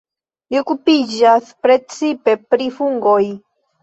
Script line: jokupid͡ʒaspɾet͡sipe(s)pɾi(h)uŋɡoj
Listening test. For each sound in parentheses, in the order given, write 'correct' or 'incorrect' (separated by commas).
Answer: incorrect, incorrect